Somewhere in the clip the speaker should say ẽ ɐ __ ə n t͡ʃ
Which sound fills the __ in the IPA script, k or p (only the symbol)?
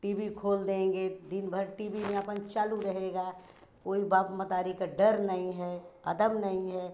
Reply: p